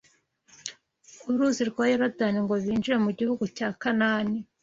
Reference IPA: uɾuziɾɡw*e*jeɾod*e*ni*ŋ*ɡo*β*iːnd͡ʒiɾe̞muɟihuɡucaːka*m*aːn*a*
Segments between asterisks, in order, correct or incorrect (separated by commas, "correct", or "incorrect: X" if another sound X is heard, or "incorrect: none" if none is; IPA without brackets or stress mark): incorrect: a, incorrect: a, correct, correct, incorrect: n, incorrect: i